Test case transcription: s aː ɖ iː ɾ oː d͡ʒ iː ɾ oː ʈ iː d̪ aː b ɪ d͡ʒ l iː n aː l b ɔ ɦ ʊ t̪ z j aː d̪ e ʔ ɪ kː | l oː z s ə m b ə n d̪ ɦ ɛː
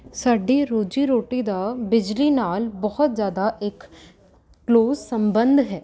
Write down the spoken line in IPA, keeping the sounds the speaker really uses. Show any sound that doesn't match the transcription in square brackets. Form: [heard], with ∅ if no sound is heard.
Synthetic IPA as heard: s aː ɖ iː ɾ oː d͡ʒ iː ɾ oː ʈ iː d̪ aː b ɪ d͡ʒ l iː n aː l b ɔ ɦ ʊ t̪ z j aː d̪ [a] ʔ ɪ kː | l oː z s ə m b ə n d̪ ɦ ɛː